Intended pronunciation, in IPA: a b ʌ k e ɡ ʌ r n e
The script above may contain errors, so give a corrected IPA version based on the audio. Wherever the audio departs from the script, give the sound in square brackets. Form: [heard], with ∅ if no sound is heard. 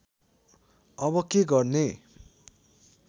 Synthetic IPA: [ʌ] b ʌ k e ɡ ʌ r n e